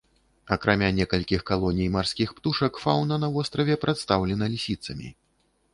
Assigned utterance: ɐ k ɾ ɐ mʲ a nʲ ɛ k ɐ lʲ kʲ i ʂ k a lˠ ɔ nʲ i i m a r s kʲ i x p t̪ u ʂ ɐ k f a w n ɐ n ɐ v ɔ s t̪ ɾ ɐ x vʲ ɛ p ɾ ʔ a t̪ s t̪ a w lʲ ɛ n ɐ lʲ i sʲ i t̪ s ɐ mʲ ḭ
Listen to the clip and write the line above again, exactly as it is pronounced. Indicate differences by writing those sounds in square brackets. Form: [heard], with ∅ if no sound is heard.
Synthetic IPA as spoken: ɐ k ɾ [a] mʲ a nʲ ɛ k ɐ lʲ kʲ i [x] k a lˠ ɔ nʲ i [j] m a r s kʲ i x p t̪ u ʂ ɐ k f a w n ɐ n ɐ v ɔ s t̪ ɾ ɐ [∅] vʲ ɛ p ɾ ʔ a t̪ s t̪ a w lʲ ɛ n ɐ lʲ i sʲ i t̪ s ɐ mʲ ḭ